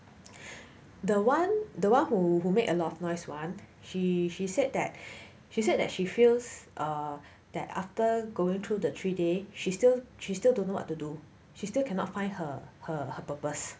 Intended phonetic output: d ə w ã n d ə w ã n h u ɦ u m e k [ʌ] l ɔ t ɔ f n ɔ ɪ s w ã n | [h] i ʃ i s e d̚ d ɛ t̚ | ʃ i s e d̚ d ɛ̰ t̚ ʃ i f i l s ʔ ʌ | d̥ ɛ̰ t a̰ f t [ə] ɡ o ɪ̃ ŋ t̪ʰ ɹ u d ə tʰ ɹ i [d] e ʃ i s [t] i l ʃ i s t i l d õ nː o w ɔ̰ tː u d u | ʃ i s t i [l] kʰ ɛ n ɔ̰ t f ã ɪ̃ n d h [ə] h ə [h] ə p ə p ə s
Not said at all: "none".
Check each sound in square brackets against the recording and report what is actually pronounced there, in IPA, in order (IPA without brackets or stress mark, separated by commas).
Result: ə, ʃ, ə, d, t, l, ə, h